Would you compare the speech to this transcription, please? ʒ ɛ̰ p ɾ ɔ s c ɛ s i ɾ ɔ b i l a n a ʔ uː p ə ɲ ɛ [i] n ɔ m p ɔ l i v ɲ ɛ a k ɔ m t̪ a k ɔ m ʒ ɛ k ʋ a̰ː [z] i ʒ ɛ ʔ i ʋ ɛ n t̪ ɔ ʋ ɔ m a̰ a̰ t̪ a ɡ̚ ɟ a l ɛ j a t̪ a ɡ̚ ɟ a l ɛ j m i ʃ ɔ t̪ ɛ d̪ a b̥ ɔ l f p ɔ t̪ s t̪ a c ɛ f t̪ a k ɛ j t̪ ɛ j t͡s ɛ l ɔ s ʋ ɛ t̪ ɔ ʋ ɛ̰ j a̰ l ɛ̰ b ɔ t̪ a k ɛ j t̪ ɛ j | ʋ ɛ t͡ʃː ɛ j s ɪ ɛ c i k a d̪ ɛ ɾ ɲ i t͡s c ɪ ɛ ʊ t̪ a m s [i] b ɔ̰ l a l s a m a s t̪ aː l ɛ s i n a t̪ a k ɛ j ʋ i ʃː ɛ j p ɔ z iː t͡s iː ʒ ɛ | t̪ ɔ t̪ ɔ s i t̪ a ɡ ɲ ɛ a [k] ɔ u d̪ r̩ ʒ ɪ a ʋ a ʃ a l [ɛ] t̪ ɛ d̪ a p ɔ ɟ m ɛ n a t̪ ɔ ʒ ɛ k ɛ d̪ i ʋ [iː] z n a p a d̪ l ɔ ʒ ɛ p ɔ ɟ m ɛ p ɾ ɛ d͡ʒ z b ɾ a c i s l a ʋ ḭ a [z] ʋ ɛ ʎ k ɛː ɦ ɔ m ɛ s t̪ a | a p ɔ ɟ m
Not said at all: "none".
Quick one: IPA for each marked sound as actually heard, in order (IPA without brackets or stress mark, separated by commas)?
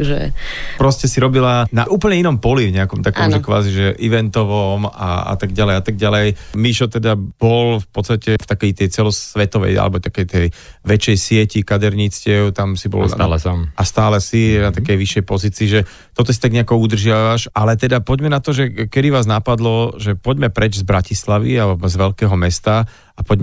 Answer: i, z, i, k, ɛ, aː, z